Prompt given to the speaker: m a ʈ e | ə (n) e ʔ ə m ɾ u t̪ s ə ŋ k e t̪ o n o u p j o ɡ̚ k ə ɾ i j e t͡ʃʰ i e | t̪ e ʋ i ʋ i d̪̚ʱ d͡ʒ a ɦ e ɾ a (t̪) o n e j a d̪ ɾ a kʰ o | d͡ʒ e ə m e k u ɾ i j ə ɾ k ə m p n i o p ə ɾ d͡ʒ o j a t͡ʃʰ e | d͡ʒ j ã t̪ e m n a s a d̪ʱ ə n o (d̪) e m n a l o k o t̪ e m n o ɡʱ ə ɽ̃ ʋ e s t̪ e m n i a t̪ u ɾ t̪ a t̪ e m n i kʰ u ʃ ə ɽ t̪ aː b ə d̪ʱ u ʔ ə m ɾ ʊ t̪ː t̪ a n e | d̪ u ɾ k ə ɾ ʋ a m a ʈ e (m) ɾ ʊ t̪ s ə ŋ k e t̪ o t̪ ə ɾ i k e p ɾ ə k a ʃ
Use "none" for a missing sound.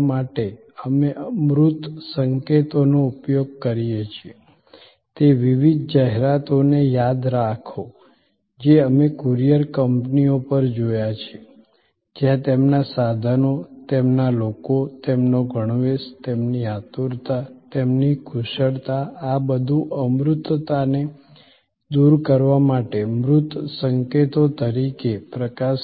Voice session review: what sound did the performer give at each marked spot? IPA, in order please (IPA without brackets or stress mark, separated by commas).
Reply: m, t̪, t̪, m